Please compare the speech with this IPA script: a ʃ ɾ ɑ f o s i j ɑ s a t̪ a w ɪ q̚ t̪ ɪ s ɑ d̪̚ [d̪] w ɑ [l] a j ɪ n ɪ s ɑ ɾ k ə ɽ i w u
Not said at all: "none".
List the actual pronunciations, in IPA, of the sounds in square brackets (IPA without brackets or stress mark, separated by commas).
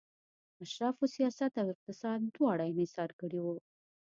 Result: d̪, ɽ